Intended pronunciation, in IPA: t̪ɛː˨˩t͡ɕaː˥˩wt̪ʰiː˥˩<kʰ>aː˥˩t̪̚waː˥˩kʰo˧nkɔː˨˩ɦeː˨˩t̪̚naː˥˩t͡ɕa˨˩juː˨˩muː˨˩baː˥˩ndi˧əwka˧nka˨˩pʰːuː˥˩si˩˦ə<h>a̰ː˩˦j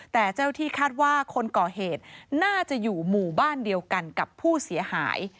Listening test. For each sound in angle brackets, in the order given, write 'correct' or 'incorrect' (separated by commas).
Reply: correct, correct